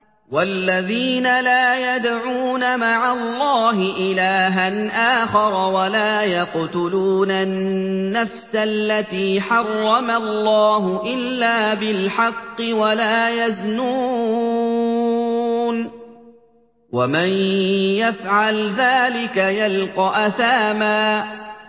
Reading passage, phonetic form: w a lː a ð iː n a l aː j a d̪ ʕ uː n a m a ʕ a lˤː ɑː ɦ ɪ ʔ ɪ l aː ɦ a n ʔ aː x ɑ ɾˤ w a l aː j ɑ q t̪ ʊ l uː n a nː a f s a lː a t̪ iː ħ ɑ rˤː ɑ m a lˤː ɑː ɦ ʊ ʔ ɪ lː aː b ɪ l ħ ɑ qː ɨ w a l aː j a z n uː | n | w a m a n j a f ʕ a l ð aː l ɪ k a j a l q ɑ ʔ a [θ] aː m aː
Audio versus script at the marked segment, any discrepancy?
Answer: no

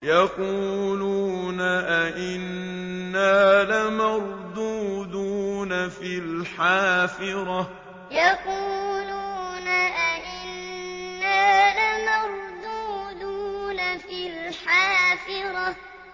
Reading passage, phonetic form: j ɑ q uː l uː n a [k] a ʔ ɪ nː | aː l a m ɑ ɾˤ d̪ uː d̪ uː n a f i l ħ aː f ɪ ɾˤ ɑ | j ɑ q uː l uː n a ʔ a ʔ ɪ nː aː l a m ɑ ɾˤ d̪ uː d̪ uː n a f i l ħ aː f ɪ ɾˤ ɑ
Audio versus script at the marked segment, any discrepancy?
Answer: yes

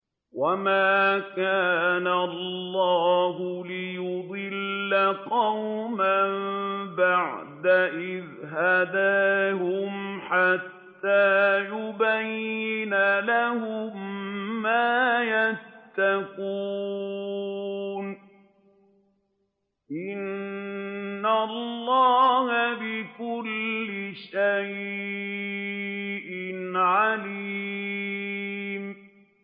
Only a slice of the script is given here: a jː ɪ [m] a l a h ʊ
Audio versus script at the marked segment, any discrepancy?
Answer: yes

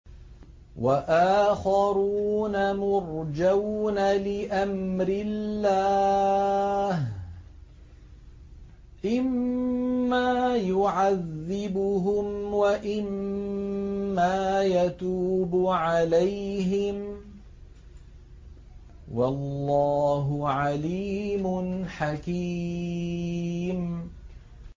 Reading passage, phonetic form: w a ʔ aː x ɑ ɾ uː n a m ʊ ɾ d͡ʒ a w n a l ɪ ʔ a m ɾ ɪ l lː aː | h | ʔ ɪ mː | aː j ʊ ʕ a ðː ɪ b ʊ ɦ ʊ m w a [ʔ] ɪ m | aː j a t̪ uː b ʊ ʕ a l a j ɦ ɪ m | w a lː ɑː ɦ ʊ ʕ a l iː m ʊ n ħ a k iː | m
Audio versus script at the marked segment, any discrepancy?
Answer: no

